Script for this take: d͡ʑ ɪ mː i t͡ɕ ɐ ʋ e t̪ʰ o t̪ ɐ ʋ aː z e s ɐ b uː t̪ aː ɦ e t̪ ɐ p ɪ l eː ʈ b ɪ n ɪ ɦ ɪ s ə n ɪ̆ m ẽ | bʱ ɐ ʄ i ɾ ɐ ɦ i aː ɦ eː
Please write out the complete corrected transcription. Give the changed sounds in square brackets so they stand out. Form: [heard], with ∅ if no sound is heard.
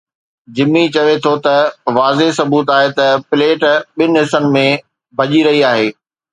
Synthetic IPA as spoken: d͡ʑ ɪ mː i t͡ɕ ɐ ʋ e t̪ʰ o t̪ ɐ ʋ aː z e s ɐ b uː t̪ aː ɦ e t̪ ɐ p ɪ l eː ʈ [ɓ] ɪ n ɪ ɦ ɪ s ə n ɪ̆ m ẽ | bʱ ɐ ʄ i ɾ ɐ ɦ i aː ɦ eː